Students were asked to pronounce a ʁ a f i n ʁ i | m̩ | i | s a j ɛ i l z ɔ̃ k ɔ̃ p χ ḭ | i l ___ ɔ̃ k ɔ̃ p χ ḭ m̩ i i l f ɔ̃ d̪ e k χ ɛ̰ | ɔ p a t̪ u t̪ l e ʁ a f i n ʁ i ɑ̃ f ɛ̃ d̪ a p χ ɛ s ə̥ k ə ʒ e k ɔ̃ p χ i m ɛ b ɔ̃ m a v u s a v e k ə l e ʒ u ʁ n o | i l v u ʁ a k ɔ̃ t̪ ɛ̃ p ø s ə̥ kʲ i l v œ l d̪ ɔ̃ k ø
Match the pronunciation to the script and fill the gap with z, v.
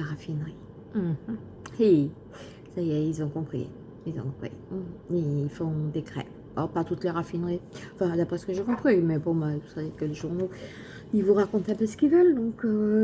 z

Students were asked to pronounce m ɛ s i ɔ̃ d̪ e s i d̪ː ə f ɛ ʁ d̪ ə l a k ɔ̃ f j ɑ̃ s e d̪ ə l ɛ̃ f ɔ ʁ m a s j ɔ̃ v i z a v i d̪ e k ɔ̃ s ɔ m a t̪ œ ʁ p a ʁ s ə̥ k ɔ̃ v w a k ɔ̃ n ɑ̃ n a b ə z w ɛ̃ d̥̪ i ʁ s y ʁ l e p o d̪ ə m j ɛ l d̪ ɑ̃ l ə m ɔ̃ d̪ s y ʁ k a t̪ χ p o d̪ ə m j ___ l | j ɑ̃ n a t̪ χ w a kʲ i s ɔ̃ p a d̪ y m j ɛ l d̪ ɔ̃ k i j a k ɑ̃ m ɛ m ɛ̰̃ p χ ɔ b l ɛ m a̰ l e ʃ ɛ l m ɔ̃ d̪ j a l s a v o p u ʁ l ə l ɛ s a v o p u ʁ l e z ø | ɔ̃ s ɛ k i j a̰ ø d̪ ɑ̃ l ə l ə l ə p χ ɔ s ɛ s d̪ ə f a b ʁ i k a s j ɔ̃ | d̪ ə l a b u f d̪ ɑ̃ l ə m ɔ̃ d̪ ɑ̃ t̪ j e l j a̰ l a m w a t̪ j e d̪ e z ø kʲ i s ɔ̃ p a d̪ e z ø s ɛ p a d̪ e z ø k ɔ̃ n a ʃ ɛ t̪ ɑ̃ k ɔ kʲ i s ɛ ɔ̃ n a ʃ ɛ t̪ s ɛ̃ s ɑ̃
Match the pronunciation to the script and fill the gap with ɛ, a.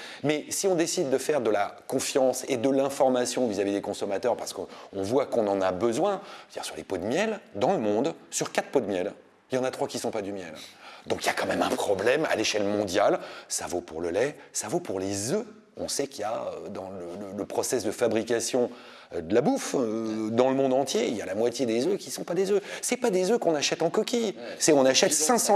ɛ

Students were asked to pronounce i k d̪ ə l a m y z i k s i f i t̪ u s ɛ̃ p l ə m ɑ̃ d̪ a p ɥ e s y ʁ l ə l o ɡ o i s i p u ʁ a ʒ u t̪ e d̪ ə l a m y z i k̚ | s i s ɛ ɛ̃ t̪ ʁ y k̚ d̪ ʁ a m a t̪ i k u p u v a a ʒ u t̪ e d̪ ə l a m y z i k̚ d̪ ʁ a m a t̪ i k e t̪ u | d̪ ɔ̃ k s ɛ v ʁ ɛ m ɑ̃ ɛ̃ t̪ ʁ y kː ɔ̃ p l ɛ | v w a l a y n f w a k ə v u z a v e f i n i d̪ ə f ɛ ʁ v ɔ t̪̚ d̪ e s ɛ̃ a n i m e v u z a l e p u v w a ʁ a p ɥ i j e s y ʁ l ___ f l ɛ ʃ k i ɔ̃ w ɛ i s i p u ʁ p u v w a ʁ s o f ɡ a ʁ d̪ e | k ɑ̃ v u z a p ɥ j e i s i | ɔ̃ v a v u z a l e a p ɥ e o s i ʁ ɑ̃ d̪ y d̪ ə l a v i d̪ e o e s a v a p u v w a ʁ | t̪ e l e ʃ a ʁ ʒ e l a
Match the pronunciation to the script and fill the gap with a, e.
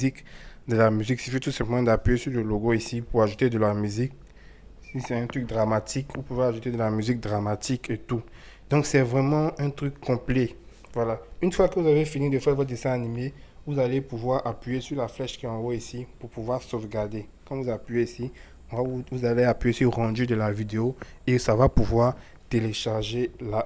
a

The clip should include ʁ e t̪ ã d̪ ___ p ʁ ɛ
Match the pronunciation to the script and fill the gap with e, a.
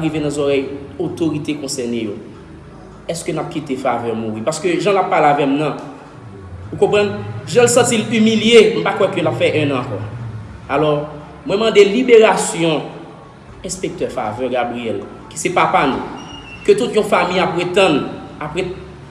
a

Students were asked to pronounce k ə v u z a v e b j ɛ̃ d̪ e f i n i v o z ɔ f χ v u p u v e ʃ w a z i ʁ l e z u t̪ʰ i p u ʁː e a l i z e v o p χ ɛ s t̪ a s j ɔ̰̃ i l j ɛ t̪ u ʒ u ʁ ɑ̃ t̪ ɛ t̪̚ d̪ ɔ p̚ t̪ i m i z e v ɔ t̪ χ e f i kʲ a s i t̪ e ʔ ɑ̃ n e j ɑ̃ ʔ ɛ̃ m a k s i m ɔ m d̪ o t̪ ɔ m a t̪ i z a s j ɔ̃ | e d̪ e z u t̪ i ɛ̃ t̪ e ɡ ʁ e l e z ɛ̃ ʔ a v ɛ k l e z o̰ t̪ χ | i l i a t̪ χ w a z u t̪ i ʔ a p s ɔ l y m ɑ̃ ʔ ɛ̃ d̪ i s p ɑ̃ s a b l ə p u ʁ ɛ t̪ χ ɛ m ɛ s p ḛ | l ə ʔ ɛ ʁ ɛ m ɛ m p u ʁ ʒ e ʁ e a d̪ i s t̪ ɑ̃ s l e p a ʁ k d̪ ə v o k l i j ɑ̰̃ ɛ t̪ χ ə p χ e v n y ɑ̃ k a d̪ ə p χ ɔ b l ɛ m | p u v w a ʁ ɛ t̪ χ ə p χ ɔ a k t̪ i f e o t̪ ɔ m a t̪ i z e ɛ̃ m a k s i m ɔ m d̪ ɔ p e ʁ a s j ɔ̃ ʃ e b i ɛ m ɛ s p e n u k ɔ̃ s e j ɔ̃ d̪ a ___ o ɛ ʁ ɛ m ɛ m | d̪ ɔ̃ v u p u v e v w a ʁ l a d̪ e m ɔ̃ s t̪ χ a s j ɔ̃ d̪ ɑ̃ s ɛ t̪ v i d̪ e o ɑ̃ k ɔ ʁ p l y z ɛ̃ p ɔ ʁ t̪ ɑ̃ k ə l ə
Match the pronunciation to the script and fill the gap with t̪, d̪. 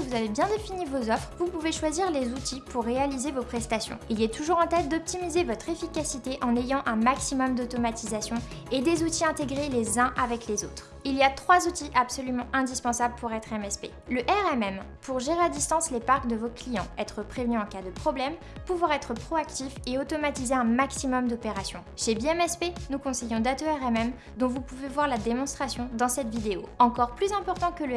t̪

